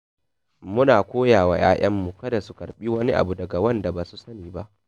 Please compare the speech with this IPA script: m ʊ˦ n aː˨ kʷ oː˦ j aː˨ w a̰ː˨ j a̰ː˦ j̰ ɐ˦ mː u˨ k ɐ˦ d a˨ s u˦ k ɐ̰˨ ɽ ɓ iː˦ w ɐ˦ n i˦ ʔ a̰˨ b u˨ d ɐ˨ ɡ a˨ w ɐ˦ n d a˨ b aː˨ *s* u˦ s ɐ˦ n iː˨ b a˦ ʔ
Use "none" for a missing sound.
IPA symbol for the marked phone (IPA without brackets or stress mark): s